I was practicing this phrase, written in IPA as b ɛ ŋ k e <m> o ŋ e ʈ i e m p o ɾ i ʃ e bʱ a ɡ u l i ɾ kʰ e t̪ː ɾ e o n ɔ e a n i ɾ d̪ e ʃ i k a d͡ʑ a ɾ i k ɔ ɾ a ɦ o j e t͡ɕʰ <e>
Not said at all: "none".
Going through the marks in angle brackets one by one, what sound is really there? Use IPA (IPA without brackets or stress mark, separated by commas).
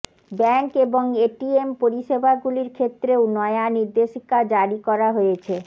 b, e